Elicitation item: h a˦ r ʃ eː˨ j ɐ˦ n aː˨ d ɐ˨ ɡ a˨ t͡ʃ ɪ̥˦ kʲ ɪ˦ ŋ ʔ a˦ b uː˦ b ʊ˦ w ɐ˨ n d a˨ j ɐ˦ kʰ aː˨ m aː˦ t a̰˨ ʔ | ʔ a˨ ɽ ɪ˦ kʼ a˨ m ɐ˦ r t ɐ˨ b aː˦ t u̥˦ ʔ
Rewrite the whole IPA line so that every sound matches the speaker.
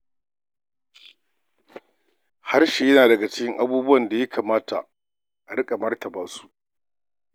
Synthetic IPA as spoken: h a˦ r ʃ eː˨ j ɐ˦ n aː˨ d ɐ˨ ɡ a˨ t͡ʃ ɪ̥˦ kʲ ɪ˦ ŋ ʔ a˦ b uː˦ b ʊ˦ w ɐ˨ n d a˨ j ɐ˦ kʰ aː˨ m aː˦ t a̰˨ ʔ | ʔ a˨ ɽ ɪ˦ kʼ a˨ m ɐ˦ r t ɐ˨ b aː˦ s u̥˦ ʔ